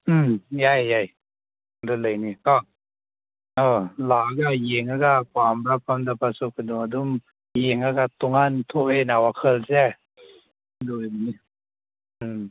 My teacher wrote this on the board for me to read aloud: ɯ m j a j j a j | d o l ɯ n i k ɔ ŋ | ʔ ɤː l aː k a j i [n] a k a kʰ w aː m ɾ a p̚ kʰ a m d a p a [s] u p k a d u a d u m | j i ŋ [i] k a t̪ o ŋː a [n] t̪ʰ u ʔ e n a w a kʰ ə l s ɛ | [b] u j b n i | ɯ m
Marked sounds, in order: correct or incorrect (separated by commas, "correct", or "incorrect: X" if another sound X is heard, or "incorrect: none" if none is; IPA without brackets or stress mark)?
incorrect: ŋ, correct, incorrect: a, correct, incorrect: d